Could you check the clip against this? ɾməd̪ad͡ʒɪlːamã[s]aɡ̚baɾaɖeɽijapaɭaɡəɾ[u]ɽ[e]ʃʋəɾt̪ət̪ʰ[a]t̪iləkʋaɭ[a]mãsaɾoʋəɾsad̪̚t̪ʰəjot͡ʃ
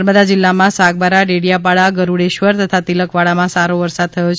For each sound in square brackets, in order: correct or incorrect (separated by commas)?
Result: correct, correct, correct, correct, correct